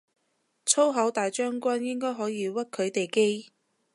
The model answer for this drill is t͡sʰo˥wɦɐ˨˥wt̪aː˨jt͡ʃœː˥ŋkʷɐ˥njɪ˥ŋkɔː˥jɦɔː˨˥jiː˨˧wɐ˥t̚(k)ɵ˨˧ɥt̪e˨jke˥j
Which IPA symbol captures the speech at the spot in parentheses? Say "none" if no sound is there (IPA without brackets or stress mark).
kʰ